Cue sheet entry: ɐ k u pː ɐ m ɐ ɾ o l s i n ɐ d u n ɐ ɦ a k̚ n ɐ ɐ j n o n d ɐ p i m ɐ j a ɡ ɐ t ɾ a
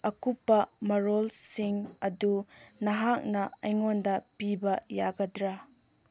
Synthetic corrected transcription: ɐ k u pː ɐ m ɐ ɾ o l s i ŋ ɐ d u n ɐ ɦ a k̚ n ɐ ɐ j ŋ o n d ɐ p i b ɐ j a ɡ ɐ d ɾ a